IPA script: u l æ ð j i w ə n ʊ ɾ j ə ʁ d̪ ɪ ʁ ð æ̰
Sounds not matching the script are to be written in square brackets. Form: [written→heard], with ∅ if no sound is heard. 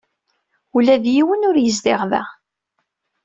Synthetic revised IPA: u l æ ð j i w ə n ʊ ɾ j ə [ʁ→z] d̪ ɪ ʁ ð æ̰